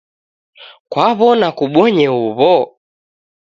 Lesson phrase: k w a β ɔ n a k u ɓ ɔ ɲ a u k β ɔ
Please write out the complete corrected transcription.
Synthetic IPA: k w a β ɔ n a k u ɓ ɔ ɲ ɛ u β ɔ